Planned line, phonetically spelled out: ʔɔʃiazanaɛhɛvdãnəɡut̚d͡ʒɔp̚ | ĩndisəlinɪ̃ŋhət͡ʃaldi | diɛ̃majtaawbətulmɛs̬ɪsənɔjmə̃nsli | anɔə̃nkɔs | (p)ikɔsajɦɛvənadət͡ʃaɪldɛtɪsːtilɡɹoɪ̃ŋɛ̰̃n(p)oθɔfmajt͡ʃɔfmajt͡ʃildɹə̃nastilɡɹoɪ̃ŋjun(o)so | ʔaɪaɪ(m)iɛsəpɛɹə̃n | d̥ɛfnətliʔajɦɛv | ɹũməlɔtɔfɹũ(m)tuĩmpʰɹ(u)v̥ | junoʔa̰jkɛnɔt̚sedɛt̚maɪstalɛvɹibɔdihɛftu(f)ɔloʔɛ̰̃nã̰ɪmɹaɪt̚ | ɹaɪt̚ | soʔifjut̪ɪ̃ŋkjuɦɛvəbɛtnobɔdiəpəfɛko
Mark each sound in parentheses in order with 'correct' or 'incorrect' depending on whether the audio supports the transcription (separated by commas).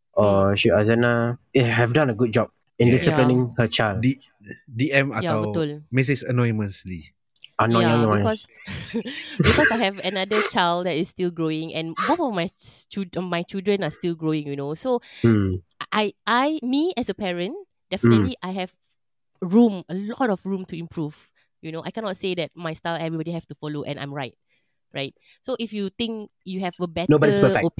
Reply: incorrect, incorrect, correct, correct, correct, correct, correct